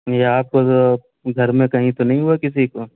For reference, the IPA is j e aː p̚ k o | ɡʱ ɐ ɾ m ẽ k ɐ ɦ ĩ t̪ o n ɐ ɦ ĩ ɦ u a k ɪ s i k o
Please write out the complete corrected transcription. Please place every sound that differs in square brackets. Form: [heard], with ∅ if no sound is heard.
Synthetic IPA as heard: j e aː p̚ k o | ɡʱ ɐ ɾ m ẽ k ɐ ɦ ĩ t̪ o n ɐ ɦ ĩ ɦ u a k ɪ s i k o